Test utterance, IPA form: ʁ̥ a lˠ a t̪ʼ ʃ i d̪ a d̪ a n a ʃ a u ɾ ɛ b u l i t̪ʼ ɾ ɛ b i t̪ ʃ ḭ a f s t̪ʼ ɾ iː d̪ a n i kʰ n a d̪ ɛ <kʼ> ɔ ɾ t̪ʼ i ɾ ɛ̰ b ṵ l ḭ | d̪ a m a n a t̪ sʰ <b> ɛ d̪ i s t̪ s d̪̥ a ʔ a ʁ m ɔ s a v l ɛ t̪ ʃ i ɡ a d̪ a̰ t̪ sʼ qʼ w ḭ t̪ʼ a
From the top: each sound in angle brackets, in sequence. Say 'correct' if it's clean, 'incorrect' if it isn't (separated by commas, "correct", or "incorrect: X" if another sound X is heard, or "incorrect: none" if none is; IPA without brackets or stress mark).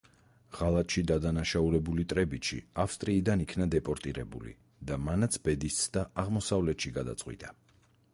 incorrect: pʼ, correct